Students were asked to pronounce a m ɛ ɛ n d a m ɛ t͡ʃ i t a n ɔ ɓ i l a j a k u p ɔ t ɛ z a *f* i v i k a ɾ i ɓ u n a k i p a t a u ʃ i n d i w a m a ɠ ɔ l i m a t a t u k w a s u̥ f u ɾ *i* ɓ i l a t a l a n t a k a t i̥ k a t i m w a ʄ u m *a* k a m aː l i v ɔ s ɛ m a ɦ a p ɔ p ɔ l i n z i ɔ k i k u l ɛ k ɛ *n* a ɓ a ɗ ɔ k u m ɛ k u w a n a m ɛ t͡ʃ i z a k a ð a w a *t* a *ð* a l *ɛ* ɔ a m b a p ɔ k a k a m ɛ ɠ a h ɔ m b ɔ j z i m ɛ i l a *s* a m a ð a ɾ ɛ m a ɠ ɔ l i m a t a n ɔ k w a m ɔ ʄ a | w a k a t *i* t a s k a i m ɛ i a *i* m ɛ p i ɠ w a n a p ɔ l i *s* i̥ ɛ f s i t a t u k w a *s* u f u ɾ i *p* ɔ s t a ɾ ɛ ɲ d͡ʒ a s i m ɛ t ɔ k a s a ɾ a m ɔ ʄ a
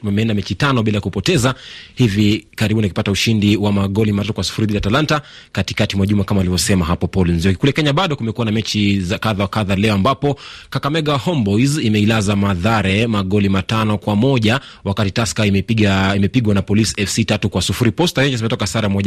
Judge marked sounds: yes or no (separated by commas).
no, yes, yes, no, no, yes, yes, no, yes, yes, yes, yes, yes